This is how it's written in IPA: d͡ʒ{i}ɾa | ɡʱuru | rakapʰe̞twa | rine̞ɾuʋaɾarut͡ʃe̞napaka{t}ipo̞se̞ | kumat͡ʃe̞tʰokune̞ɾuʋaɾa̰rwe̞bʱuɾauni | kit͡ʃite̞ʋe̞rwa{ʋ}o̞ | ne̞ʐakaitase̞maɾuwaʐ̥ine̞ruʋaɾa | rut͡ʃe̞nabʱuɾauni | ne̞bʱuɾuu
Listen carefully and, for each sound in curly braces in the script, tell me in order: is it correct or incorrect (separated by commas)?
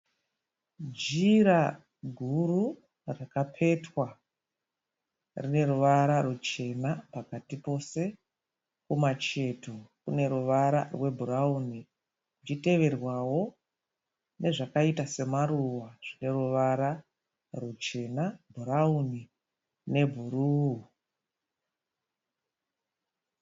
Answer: correct, correct, incorrect